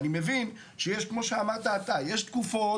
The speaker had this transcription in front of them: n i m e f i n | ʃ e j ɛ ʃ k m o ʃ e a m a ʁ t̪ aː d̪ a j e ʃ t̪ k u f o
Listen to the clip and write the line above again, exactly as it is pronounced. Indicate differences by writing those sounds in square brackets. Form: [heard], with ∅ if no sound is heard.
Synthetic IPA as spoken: n i m e [v] i n | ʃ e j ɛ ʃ k m o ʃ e a m a ʁ t̪ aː [t̪] a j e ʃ t̪ k u f o